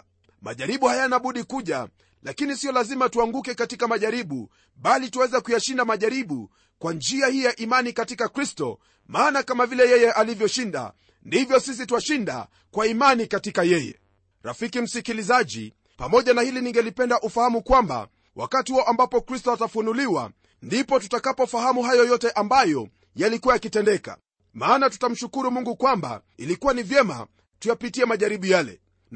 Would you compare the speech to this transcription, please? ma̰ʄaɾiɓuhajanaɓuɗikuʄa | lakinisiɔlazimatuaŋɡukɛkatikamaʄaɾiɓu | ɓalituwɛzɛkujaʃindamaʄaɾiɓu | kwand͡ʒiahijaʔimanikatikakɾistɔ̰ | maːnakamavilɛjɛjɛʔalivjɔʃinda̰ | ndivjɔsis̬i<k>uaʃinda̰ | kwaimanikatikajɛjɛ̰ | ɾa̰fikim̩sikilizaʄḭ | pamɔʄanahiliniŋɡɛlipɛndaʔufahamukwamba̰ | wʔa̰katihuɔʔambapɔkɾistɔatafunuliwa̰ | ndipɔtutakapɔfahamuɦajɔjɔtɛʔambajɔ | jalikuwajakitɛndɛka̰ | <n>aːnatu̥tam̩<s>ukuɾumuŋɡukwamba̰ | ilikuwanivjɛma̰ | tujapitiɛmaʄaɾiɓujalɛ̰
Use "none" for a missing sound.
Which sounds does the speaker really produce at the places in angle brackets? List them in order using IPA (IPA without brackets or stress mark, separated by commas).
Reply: t, m, ʃ